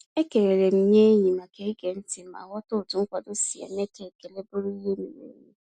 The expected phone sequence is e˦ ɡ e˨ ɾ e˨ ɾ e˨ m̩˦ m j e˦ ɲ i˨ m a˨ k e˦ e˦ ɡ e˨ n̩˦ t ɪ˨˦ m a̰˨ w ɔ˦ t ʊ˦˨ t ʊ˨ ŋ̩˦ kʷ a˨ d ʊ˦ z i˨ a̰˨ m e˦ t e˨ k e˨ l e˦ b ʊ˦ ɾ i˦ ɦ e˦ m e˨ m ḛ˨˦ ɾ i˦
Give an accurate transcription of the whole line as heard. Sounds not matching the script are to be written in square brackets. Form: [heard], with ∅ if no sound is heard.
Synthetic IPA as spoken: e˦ [k] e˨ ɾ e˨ ɾ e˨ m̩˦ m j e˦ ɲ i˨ m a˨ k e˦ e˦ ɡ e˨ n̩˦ t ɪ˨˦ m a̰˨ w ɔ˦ t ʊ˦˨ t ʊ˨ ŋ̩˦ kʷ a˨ d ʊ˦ [s] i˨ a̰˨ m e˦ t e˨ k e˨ l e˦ b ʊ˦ ɾ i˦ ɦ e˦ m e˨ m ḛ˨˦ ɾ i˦